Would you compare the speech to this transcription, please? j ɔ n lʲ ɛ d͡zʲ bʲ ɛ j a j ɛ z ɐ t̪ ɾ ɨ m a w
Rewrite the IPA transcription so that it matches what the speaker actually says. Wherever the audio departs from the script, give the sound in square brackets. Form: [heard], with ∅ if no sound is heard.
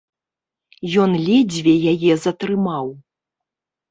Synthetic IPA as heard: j ɔ n lʲ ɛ d͡zʲ [vʲ] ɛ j a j ɛ z ɐ t̪ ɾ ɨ m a w